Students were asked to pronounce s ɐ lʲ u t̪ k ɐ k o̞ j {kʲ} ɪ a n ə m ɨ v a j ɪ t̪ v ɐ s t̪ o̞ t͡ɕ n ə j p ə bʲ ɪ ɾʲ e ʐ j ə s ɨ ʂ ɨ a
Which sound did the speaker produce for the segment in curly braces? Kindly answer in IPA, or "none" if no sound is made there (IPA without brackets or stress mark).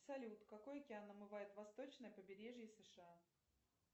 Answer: kʲ